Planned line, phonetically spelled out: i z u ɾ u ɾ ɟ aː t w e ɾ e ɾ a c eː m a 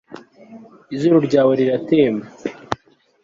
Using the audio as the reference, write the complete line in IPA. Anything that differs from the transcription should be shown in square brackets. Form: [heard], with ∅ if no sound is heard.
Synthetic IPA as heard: i z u ɾ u ɾ ɟ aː [∅] w e ɾ [i] ɾ a [t] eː m a